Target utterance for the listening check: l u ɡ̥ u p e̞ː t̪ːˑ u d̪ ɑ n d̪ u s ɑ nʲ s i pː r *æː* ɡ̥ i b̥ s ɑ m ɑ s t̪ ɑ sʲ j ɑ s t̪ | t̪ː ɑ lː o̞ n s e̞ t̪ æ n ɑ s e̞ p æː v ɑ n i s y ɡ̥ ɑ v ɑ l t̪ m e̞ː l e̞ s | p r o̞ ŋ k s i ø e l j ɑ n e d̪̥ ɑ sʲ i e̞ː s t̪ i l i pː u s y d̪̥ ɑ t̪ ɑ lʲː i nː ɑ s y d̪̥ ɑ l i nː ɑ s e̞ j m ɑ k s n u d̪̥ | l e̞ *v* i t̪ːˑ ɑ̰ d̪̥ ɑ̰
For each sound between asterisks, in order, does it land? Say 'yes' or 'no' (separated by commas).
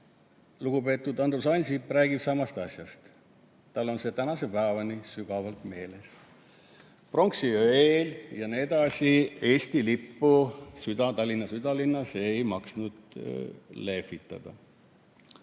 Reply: yes, no